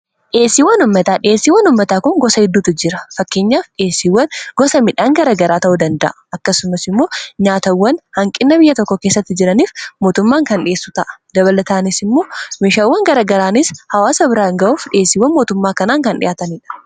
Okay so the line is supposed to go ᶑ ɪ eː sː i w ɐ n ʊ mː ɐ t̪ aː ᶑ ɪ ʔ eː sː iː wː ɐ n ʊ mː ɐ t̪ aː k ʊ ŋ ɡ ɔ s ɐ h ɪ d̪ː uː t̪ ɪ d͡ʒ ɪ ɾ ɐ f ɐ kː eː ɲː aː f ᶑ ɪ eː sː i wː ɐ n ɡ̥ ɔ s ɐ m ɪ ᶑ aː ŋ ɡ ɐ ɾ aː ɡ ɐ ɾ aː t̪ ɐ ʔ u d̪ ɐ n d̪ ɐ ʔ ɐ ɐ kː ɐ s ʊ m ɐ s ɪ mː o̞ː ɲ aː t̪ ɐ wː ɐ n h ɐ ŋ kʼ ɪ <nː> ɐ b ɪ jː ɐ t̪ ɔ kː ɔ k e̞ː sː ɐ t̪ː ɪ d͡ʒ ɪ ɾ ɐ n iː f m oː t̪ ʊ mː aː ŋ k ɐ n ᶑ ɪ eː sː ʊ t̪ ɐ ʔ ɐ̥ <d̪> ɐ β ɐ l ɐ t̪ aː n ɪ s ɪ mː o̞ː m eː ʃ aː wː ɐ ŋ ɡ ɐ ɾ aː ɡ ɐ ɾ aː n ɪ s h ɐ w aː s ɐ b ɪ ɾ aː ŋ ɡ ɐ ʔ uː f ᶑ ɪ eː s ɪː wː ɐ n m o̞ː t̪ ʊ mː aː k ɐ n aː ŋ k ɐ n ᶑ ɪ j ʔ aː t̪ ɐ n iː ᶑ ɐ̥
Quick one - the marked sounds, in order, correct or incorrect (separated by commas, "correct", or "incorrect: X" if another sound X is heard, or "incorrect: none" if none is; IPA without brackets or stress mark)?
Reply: correct, correct